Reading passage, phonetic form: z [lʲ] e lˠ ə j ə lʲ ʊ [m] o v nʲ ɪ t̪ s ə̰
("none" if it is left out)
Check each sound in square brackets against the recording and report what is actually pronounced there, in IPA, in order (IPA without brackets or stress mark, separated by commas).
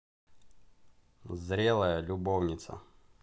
ɾʲ, b